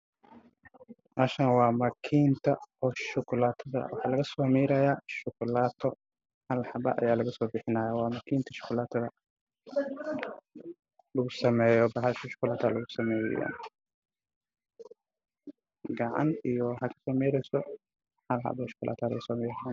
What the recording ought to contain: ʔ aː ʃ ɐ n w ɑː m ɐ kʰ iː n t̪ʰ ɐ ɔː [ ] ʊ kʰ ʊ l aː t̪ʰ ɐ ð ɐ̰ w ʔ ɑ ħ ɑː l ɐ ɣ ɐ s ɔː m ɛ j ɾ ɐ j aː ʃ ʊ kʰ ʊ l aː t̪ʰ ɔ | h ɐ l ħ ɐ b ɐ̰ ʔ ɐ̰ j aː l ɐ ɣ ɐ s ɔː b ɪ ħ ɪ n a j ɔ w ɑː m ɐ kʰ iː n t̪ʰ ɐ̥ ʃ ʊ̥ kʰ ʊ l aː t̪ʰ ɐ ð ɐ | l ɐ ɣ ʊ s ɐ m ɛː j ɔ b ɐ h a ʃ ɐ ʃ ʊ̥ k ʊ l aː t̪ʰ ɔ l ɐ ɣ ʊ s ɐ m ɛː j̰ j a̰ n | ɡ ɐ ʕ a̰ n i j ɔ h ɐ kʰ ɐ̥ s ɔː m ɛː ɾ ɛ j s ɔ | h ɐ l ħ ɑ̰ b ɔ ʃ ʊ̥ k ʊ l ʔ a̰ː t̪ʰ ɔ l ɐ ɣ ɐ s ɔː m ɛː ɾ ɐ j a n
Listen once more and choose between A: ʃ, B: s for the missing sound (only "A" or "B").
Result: A